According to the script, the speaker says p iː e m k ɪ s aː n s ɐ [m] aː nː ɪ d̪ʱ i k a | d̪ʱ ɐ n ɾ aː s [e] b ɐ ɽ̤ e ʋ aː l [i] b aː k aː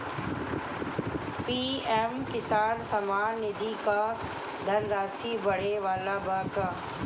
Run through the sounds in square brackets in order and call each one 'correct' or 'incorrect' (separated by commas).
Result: correct, incorrect, incorrect